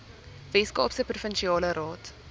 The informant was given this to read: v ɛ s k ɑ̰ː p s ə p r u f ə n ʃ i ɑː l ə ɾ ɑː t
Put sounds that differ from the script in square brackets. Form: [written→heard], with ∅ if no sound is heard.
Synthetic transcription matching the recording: v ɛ s k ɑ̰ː p s ə p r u f ə n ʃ i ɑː l ə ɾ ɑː t